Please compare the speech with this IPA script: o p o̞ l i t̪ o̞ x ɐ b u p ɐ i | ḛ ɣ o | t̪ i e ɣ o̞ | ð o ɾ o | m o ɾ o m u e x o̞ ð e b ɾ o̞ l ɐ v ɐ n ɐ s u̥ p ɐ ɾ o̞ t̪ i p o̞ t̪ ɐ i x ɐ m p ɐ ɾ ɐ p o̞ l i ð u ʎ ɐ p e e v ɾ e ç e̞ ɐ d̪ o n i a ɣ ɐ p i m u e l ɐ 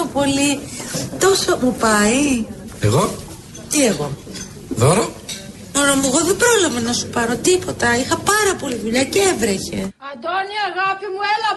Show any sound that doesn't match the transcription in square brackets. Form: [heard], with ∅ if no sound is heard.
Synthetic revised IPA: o p o̞ l i t̪ o̞ [s] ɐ [m] u p ɐ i | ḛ ɣ o | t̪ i e ɣ o̞ | ð o ɾ o | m o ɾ o m u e [ɣ] o̞ ð e b ɾ o̞ l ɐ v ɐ n ɐ s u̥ p ɐ ɾ o̞ t̪ i p o̞ t̪ ɐ i x ɐ [∅] p ɐ ɾ ɐ p o̞ l i ð u ʎ ɐ [c] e e v ɾ e ç e̞ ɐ d̪ o n i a ɣ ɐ p i m u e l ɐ